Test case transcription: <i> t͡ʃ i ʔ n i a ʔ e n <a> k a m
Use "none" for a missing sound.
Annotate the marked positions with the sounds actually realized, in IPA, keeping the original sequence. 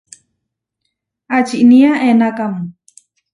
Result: a, a

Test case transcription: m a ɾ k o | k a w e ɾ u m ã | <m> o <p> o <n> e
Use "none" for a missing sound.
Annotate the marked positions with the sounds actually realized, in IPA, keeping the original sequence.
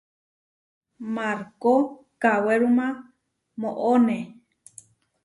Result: m, ʔ, n

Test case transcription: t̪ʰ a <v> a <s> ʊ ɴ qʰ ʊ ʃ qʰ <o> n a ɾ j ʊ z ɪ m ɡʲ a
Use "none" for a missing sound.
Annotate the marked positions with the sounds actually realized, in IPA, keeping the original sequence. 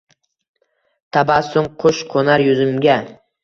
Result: b, s, o

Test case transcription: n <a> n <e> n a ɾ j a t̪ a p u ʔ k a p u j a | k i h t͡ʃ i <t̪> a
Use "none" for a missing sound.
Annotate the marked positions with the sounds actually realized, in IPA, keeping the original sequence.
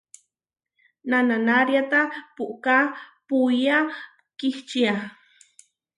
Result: a, a, none

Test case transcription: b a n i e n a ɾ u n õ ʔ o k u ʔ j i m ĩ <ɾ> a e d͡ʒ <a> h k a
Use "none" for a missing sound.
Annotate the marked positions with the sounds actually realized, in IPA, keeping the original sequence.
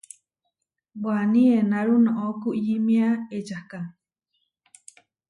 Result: none, a

